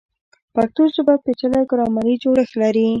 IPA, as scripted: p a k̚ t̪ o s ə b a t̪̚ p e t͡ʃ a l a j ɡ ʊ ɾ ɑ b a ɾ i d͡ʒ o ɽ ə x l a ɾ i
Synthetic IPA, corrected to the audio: p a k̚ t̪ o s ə b a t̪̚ p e t͡ʃ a l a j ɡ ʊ ɾ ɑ m a ɾ i d͡ʒ o ɽ ə x l a ɾ i